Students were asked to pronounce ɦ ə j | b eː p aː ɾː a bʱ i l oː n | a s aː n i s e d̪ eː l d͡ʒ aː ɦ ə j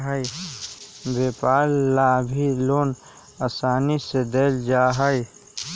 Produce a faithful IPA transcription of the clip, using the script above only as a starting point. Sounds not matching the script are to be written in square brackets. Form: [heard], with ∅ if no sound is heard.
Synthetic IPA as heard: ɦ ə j | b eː p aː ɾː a bʱ i l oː n | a s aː n i s e d̪ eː l d͡ʒ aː ɦ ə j